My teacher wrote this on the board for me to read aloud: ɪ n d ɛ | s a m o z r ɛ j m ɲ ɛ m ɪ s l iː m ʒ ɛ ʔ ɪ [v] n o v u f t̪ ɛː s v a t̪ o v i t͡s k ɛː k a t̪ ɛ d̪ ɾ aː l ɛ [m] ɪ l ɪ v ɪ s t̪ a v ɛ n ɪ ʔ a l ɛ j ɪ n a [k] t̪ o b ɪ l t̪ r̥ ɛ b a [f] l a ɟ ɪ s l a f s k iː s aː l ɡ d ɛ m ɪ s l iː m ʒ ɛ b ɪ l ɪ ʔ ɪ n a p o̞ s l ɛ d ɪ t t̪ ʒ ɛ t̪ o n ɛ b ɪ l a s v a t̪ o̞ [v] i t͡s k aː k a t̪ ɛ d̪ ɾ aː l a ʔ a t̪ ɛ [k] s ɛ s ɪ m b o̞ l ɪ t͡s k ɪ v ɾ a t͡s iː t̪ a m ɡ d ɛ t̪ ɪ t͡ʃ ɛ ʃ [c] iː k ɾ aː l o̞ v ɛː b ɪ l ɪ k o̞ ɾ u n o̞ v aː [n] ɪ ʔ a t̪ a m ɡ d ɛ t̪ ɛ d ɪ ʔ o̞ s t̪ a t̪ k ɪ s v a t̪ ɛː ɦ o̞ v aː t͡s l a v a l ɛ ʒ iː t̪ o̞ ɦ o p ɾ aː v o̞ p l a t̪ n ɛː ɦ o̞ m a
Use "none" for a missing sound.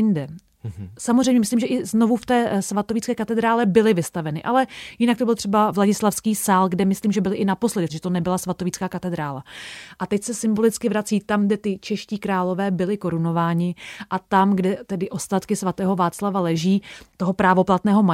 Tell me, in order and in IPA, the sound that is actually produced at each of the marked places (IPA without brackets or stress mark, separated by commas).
z, b, k, v, v, c, c, ɲ